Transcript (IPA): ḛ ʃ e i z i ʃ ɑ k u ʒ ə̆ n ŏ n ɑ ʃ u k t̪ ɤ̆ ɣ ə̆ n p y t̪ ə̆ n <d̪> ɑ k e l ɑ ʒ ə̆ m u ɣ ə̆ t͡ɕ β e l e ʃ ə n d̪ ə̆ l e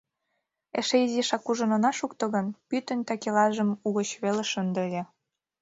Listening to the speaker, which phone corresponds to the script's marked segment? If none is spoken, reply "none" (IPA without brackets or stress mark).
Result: t̪